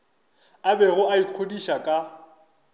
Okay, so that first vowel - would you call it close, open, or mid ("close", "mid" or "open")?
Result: open